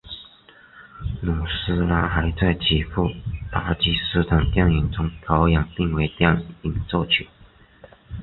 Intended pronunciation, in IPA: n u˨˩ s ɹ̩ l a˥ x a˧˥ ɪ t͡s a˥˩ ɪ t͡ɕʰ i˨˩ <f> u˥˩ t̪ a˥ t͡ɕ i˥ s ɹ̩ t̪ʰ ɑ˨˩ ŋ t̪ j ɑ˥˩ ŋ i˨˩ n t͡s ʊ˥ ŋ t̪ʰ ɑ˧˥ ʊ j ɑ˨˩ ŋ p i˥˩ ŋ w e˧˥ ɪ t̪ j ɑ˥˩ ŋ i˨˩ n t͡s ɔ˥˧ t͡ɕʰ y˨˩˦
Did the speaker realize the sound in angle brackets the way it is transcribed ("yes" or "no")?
yes